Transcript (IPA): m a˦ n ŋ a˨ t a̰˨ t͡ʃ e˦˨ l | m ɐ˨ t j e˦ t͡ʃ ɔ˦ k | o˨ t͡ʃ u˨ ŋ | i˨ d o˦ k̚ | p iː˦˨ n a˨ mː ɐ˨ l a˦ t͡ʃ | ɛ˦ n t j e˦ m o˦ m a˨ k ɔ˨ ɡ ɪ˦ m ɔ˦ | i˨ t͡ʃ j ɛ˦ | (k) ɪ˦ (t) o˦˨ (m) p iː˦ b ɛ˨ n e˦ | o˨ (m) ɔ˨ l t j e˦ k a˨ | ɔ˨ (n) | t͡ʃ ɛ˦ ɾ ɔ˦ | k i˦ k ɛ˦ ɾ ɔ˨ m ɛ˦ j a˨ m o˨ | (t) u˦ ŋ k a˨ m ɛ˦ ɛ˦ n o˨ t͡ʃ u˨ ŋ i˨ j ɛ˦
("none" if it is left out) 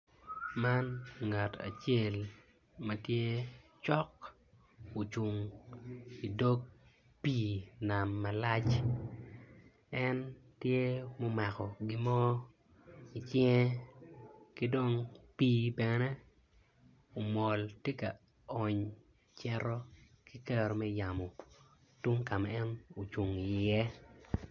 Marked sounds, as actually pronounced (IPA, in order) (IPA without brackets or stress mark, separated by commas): k, d, ŋ, m, ɲ, t